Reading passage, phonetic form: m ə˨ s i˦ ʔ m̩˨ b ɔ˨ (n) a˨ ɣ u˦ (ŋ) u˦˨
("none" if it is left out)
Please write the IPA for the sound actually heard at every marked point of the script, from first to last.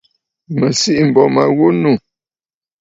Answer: m, n

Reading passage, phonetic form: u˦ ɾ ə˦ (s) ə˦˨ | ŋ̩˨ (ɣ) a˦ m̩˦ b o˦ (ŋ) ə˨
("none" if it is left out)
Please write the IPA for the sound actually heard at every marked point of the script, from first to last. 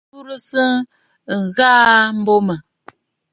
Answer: s, ɣ, m

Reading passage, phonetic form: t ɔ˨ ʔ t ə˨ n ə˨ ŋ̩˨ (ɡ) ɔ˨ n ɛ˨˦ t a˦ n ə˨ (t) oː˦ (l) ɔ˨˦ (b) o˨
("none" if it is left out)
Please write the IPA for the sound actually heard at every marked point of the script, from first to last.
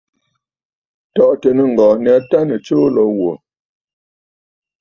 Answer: ɡ, t͡ʃ, l, w

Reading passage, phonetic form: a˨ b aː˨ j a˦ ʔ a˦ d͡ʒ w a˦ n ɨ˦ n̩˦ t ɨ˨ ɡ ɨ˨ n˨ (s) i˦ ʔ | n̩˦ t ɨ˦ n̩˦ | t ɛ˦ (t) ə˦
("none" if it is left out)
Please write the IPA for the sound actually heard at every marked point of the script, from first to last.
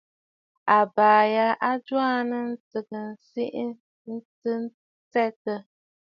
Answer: s, t

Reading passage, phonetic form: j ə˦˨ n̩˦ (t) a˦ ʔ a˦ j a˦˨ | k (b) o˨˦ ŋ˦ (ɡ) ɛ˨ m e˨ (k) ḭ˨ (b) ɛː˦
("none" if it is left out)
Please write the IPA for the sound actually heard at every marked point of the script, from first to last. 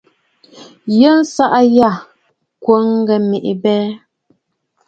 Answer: s, w, ɡ, ʔ, b

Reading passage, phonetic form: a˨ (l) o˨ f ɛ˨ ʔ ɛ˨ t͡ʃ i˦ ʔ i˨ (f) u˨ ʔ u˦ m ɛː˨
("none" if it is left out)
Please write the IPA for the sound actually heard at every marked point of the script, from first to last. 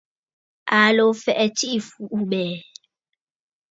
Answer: l, f

